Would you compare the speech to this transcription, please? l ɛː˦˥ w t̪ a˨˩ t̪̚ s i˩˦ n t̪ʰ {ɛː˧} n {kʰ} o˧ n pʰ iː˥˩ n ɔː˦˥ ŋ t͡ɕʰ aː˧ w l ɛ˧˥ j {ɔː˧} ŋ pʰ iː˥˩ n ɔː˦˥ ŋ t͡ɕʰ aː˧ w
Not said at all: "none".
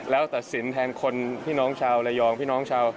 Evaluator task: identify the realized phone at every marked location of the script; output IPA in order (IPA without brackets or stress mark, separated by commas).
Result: ɛː˧, kʰ, ɔː˧